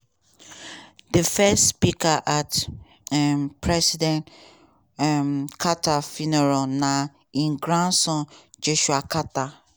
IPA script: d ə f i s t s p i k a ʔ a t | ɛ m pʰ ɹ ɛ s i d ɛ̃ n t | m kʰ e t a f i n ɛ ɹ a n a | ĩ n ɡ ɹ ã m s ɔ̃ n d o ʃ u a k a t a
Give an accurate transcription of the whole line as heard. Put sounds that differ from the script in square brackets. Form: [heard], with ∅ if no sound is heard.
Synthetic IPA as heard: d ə f [ɛ] s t s p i k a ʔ a t | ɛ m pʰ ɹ ɛ s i d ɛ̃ n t | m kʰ [a] t a f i n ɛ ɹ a n a | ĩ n ɡ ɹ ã [n] s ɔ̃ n [d͡ʒ] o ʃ u a k a t a

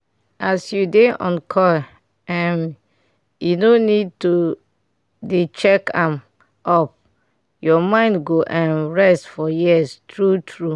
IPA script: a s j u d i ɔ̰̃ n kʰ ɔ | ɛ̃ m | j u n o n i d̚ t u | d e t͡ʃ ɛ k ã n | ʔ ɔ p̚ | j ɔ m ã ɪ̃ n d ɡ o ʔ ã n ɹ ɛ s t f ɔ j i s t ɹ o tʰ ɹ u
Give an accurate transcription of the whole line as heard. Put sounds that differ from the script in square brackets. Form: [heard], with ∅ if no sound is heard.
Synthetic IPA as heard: a s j u d [e] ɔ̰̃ n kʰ ɔ | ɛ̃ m | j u n o n i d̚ t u | d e t͡ʃ ɛ k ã [m] | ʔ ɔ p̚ | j ɔ m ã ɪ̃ n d ɡ o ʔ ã n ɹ ɛ s t f ɔ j i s t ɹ [u] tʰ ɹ u

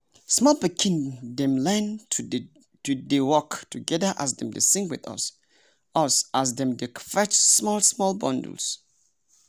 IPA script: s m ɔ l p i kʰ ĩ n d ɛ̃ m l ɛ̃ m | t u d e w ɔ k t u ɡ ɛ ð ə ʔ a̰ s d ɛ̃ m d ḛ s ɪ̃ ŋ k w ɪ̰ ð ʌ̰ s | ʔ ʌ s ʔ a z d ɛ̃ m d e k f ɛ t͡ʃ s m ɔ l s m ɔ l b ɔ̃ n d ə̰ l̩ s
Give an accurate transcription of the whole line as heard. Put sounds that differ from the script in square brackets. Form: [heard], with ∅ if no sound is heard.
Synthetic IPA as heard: s m ɔ l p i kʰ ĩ n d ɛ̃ m l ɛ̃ [n] | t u d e w ɔ k t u ɡ ɛ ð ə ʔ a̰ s d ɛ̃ m d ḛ s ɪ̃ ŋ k w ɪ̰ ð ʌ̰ s | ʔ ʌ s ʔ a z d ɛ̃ m d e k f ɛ t͡ʃ s m ɔ l s m ɔ l b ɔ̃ n d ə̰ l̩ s

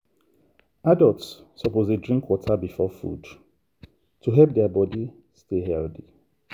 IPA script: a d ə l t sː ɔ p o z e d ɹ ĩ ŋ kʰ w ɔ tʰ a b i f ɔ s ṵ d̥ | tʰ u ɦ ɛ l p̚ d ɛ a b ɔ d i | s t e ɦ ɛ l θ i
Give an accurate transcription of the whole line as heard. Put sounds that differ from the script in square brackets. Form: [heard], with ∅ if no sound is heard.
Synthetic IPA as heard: a d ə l t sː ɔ p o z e d ɹ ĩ ŋ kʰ w ɔ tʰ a b i f ɔ [f] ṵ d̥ | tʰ u ɦ ɛ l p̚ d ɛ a b ɔ d i | s t e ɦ ɛ l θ i

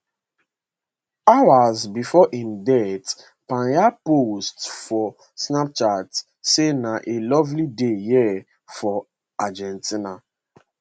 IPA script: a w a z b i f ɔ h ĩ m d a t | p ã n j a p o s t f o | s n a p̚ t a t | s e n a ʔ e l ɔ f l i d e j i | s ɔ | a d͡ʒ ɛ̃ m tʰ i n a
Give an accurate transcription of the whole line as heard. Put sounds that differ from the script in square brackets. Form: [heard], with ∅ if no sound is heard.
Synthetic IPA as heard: a w a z b i f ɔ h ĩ m d [ɛ] t | p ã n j a p o s t f [ɔ] | s n a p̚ [t͡ʃ] a t | s e n a ʔ e l ɔ [v] l i d e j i | [f] ɔ | a d͡ʒ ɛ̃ [n] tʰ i n a

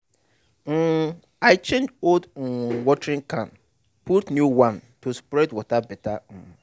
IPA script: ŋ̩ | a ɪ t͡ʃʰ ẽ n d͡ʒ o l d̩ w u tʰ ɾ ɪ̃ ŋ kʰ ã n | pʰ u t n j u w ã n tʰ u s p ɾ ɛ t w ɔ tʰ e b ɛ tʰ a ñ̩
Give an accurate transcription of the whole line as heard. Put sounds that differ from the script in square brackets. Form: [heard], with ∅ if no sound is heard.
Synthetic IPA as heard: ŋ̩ | a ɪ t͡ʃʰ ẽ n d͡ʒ o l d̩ w [ɔ] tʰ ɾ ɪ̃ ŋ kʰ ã n | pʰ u t n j u w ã n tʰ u s p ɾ ɛ [d] w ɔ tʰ [a] b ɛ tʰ a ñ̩

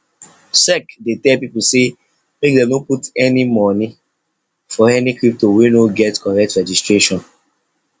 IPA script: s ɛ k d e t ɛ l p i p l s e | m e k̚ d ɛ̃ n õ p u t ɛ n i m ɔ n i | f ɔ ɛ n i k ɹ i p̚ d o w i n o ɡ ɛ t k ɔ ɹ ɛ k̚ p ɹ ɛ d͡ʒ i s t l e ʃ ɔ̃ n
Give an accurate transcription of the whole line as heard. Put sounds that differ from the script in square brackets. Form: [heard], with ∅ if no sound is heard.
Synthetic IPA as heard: s ɛ k d e t ɛ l p i p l s e | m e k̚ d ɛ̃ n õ p u t ɛ n i m ɔ n i | f ɔ ɛ n i k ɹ i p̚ [t] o w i n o ɡ ɛ t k ɔ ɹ ɛ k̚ [t] ɹ ɛ d͡ʒ i s t [ɹ] e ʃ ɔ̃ n

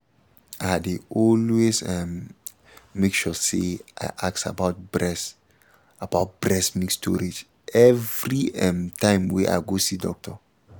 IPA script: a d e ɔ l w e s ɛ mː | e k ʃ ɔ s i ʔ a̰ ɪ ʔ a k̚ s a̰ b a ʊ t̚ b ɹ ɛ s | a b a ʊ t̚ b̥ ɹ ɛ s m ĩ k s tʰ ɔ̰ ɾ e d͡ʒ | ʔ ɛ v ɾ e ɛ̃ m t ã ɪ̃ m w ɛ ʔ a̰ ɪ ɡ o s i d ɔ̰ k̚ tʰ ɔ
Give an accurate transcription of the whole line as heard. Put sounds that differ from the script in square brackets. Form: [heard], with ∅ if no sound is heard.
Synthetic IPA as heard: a d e ɔ l w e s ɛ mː | e k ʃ ɔ s [e] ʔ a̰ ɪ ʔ a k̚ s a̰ b a ʊ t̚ b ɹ ɛ s | a b a ʊ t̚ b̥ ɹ ɛ s m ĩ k s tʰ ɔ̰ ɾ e d͡ʒ | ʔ ɛ v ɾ [i] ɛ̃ m t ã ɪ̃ m w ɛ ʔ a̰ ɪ ɡ o s i d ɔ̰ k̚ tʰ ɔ

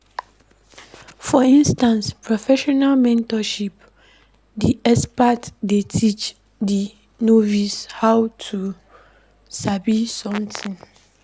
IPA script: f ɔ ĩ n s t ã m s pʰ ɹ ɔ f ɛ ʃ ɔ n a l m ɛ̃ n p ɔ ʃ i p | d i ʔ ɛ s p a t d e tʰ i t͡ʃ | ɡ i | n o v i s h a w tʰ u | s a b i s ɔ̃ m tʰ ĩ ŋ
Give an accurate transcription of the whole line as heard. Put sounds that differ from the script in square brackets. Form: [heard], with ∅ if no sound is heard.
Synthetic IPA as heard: f ɔ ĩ n s t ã [n] s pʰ ɹ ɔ f ɛ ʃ ɔ n a l m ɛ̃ n [t] ɔ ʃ i p | d i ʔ ɛ s p a t d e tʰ i t͡ʃ | [d] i | n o v i s h a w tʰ u | s a b i s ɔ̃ m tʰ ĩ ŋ

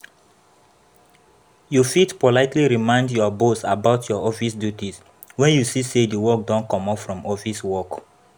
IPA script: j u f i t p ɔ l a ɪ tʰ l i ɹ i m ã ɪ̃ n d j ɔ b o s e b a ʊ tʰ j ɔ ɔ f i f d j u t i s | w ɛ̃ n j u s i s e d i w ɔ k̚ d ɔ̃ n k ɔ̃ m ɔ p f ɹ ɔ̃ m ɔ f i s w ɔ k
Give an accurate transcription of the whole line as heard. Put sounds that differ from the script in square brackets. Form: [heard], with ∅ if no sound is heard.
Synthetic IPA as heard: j u f i t p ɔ l a ɪ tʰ l i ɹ i m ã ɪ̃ n d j ɔ b o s [a] b a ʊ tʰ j ɔ ɔ f i [s] d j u t i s | w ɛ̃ n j u s i s e d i w ɔ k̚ d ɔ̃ n k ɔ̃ m ɔ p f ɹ ɔ̃ m ɔ f i s w ɔ k

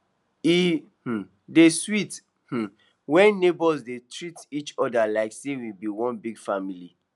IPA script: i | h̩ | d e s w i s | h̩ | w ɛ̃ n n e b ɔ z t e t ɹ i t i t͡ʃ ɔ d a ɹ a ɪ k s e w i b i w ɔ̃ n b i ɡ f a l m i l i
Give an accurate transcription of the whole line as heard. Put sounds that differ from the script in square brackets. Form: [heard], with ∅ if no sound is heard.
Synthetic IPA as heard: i | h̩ | d e s w i [t] | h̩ | w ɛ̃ n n e b ɔ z [d] e t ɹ i t i t͡ʃ ɔ d a [l] a ɪ k s e w i b i w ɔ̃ n b i ɡ f a [∅] m i l i

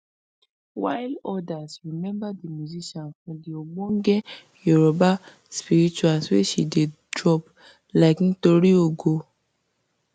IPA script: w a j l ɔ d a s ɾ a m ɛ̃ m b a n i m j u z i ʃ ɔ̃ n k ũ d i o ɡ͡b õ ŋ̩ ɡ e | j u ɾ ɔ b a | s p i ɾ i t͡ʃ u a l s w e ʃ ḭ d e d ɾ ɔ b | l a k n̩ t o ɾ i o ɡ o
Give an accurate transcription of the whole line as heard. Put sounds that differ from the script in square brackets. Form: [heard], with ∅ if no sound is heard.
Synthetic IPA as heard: w a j l ɔ d a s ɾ [i] m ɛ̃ m b a [d] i m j u z i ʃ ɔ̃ n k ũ d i o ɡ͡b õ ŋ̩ ɡ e | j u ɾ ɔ b a | s p i ɾ i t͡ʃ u a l s w e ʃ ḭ d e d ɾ ɔ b | l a k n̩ t o ɾ i o ɡ o

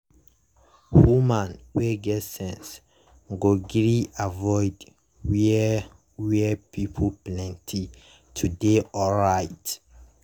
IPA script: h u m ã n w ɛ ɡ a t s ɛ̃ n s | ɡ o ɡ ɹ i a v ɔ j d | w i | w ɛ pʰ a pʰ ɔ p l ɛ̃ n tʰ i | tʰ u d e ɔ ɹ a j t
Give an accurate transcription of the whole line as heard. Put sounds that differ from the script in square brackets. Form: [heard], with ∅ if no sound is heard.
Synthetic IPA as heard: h u m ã n w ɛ ɡ [ɛ] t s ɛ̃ n s | ɡ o ɡ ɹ i a v ɔ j d | w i | w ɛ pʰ [i] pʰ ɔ p l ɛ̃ n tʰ i | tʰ u d e ɔ ɹ a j t

